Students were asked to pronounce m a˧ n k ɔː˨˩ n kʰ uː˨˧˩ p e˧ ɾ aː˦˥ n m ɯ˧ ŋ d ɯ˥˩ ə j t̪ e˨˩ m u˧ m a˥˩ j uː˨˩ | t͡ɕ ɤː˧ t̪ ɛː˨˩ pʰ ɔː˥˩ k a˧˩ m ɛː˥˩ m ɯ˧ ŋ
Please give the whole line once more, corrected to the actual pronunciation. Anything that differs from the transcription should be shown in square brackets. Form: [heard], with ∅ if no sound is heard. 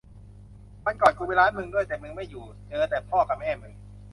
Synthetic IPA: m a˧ n k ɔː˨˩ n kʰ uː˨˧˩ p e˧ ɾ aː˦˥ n m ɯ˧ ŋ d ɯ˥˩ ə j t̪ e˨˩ m [ɯ˧] m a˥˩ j uː˨˩ | t͡ɕ ɤː˧ t̪ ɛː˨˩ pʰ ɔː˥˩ k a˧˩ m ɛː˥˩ m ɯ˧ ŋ

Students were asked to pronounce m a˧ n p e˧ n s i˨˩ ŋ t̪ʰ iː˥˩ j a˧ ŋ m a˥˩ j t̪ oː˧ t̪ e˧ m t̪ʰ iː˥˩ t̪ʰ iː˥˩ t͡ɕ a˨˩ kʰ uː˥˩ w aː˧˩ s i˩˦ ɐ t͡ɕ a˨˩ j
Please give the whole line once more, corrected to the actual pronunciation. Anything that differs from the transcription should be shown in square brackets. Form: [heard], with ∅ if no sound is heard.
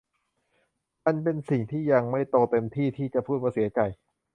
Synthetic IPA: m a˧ n p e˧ n s i˨˩ ŋ t̪ʰ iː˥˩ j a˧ ŋ m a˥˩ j t̪ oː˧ t̪ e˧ m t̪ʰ iː˥˩ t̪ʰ iː˥˩ t͡ɕ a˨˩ [pʰ] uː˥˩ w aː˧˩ s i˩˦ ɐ t͡ɕ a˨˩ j

